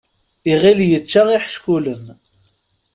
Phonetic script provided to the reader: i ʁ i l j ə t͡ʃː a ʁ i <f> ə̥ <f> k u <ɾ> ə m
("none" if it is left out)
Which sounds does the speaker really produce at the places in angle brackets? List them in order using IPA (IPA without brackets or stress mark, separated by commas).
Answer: ħ, ʃ, l